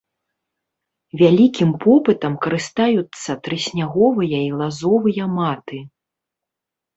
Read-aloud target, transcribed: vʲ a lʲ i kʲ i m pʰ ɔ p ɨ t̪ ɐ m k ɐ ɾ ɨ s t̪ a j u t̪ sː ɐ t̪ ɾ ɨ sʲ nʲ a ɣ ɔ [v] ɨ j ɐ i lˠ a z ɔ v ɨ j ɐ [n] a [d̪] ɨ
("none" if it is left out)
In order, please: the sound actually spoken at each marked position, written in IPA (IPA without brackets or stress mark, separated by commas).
v, m, t̪